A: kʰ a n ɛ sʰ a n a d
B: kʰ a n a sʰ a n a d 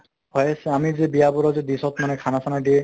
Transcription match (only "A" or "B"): B